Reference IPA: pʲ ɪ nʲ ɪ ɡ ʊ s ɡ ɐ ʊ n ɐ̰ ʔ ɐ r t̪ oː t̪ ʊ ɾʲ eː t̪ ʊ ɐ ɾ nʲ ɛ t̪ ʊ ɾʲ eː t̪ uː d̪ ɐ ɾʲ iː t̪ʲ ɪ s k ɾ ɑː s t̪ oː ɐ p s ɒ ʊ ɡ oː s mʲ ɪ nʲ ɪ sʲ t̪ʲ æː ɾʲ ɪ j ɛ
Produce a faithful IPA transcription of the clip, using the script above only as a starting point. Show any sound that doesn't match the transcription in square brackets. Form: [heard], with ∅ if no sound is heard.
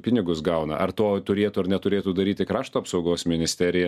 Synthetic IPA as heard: pʲ ɪ nʲ ɪ ɡ ʊ s ɡ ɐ ʊ n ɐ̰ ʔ ɐ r t̪ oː t̪ ʊ ɾʲ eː t̪ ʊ ɐ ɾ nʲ ɛ t̪ ʊ ɾʲ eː t̪ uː d̪ ɐ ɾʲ iː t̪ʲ ɪ [∅] k ɾ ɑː [ʃ] t̪ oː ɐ p s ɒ ʊ ɡ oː s mʲ ɪ nʲ ɪ sʲ t̪ʲ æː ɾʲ ɪ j ɛ